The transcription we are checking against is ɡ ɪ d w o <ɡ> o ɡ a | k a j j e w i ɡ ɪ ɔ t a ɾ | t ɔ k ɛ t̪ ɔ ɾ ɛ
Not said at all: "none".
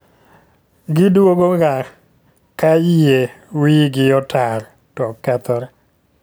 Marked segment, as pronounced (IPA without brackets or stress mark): ɡ